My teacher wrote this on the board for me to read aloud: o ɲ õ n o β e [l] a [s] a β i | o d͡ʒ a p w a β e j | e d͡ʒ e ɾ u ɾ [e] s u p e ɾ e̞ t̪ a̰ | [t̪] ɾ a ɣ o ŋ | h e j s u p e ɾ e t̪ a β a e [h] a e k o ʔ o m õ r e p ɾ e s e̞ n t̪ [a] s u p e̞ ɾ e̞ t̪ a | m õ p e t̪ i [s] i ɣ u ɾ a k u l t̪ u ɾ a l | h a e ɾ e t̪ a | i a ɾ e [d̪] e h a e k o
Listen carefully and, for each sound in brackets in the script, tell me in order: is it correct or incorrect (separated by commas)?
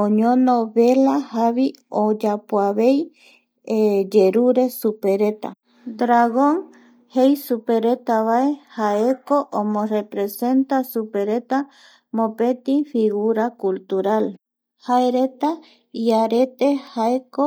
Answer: correct, incorrect, correct, incorrect, correct, correct, incorrect, incorrect